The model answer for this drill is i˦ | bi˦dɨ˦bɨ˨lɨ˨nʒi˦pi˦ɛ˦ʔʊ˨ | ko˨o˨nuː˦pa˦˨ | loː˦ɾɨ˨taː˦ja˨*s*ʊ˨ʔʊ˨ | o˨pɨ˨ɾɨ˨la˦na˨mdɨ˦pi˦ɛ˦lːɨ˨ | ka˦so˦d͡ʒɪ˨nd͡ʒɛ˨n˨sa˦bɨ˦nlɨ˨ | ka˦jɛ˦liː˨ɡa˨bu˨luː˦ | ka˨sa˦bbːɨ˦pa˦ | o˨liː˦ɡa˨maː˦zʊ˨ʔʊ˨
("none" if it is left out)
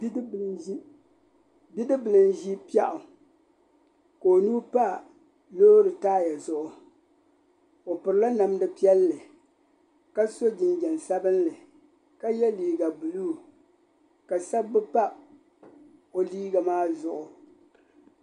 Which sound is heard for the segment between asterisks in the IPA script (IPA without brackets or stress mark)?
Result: z